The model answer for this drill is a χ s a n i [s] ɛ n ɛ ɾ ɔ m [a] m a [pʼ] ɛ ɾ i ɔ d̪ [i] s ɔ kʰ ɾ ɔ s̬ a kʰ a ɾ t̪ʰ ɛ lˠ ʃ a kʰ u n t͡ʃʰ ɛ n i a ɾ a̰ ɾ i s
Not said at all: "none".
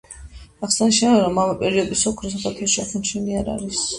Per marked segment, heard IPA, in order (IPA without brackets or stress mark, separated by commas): ʃ, a, pʼ, i